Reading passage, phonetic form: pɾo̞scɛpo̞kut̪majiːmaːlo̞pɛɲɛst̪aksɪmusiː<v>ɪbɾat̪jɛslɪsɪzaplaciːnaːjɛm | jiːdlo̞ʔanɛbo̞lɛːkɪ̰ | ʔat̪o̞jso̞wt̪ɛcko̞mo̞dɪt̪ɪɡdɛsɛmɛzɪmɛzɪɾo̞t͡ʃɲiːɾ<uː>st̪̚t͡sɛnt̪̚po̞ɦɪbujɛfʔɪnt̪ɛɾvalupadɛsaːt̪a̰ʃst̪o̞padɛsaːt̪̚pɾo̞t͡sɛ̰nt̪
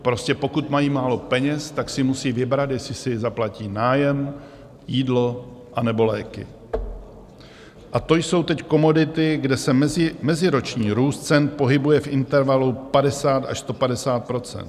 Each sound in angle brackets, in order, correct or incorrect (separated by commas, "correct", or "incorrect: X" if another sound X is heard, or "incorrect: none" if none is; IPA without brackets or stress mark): correct, correct